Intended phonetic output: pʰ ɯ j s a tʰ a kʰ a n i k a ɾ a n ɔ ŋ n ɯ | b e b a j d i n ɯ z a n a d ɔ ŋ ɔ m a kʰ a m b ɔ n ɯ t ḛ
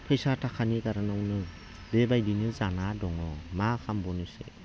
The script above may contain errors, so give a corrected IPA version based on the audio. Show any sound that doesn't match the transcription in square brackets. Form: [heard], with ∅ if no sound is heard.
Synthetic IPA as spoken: pʰ ɯ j s a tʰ a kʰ a n i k a ɾ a n ɔ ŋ n ɯ | b e b a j d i n ɯ z a n a d ɔ ŋ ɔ m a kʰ a m b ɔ n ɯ [s] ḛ